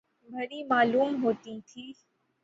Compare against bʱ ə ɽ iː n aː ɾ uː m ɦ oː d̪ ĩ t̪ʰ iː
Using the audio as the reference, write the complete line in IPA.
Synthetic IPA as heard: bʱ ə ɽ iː m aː l uː m ɦ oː t̪ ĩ t̪ʰ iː

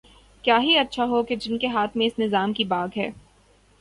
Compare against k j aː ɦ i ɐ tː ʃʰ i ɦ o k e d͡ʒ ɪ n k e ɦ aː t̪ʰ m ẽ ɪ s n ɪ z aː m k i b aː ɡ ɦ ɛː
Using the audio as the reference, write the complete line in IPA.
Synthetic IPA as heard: k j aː ɦ i ɐ tː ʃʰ a ɦ o k e d͡ʒ ɪ n k e ɦ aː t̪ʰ m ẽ ɪ s n ɪ z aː m k i b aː ɡ ɦ ɛː

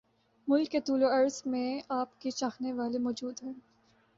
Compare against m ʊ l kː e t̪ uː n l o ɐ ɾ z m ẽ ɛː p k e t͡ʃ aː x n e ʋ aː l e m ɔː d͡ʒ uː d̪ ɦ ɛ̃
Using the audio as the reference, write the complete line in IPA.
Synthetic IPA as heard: m ʊ l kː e t̪ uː l o ɐ ɾ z m ẽ aː p k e t͡ʃ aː x n e ʋ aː l e m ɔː d͡ʒ uː d̪ ɦ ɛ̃

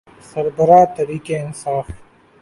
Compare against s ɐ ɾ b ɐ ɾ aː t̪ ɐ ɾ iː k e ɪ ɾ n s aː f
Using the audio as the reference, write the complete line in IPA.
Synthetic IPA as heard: s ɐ ɾ b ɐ ɾ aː t̪ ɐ ɾ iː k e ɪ n s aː f

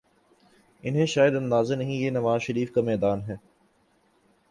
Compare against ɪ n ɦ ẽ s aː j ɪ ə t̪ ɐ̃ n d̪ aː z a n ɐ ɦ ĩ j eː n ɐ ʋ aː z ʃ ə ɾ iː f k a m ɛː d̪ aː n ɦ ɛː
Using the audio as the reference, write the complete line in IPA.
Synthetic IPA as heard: ɪ n ɦ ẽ ʃ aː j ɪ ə d̪ ɐ̃ n d̪ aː z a n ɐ ɦ ĩ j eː n ɐ ʋ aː z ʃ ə ɾ iː f k a m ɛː d̪ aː n ɦ ɛː

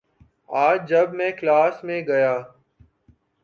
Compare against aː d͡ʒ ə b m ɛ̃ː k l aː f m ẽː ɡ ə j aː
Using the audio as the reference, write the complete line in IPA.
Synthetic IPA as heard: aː d͡ʒ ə b m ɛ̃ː k l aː s m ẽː ɡ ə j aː

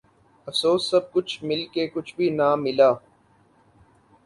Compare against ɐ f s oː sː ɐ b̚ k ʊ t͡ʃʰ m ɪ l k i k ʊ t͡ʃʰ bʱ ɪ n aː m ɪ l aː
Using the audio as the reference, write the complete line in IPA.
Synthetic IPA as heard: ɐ f s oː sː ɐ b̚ k ʊ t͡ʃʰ m ɪ l k e k ʊ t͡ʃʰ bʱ i n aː m ɪ l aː

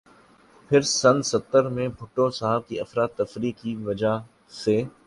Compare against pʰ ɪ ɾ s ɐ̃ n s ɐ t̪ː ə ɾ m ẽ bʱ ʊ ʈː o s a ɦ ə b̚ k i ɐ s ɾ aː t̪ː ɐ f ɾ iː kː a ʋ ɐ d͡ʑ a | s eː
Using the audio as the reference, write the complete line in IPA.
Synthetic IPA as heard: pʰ ɪ ɾ s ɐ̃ n s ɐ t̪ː ə ɾ m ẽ bʱ ʊ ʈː o s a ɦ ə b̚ k i ɐ f ɾ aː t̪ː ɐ f ɾ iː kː i ʋ ɐ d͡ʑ a | s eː

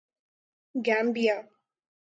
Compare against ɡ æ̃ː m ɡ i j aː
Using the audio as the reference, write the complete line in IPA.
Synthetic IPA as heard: ɡ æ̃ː m b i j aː

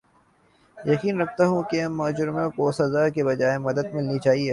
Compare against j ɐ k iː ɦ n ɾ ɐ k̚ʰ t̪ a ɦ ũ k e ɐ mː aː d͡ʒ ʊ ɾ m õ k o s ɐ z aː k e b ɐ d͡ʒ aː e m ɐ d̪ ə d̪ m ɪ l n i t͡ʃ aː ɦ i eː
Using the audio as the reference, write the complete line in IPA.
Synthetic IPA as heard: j ɐ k iː n ɾ ɐ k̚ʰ t̪ a ɦ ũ k e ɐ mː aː d͡ʒ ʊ ɾ m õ k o s ɐ z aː k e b ɐ d͡ʒ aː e m ɐ d̪ ə d̪ m ɪ l n i t͡ʃ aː ɦ i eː

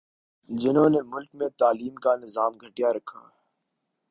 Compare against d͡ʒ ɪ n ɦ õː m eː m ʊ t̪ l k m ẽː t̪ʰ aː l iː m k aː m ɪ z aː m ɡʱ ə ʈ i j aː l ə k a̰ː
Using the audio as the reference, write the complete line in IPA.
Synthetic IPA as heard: d͡ʒ ɪ n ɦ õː n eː m ʊ l k m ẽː t̪ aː l iː m k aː n ɪ z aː m ɡʱ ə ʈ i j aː ɾ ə kʰ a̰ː

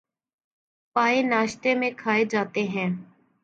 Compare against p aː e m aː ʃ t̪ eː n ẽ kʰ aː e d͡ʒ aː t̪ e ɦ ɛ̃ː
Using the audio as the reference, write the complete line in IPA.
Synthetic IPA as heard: p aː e n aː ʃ t̪ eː m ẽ kʰ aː e d͡ʒ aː t̪ e ɦ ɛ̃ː

